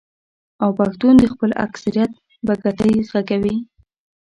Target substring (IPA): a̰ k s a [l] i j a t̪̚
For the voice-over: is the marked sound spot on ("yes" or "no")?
no